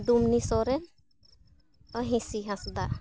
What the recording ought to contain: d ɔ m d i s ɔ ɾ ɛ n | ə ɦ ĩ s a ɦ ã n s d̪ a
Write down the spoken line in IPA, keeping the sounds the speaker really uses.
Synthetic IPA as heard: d u m n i s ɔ ɾ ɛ n | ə ɦ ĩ s i ɦ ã s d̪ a